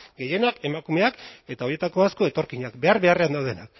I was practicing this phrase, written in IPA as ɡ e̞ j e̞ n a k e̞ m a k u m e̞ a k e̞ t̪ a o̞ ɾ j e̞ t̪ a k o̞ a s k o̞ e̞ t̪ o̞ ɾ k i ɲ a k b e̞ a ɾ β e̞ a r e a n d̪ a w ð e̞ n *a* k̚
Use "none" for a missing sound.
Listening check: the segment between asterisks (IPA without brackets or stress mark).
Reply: a